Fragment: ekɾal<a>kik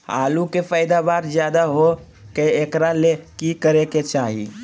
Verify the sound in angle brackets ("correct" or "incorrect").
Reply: incorrect